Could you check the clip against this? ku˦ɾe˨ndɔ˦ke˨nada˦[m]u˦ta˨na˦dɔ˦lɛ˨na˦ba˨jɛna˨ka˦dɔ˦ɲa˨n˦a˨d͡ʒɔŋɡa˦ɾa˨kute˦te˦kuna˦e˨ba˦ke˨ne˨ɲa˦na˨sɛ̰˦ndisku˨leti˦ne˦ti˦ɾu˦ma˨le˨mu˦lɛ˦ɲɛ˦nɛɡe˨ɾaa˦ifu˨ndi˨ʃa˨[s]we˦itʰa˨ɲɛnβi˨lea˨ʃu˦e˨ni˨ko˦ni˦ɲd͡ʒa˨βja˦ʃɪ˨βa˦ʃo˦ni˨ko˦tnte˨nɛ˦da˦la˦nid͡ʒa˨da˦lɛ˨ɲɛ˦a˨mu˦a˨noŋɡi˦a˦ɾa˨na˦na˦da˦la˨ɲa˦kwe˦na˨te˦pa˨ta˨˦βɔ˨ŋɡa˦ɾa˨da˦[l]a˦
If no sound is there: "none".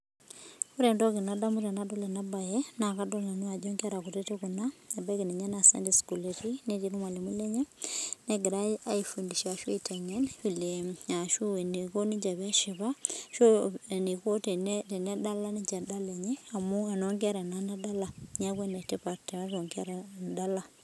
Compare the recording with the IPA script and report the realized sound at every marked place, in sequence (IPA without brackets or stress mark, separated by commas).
m, ʃ, l